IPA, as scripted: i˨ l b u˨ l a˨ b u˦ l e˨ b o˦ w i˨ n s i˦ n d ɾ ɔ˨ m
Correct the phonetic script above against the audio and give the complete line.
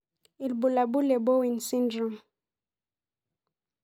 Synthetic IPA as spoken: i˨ l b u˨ l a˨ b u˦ l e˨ b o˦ w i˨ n s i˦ n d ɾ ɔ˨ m